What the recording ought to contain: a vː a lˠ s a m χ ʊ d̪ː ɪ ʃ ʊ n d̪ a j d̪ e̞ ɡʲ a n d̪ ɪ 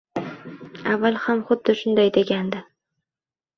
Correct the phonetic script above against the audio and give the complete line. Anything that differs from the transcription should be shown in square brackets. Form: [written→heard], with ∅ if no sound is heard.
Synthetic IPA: a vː a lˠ [s→h] a m χ ʊ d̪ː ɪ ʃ ʊ n d̪ a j d̪ e̞ ɡʲ a n d̪ ɪ